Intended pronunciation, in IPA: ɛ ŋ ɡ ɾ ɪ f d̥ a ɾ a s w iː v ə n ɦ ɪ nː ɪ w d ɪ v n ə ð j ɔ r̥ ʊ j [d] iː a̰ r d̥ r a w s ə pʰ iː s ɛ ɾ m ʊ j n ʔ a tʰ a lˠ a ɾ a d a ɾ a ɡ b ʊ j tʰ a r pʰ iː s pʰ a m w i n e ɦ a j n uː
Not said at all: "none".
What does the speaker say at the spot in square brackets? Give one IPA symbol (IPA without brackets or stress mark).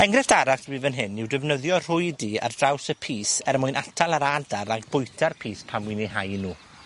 d